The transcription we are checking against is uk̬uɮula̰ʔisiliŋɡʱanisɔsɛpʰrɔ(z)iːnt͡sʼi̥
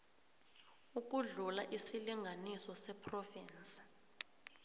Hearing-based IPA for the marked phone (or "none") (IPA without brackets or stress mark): v